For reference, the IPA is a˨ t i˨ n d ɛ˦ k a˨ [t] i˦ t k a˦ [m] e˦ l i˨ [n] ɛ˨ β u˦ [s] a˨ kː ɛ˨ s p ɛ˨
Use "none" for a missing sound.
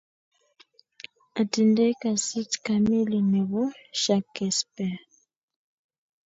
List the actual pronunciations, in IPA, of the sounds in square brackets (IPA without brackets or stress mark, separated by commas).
s, m, n, ʃ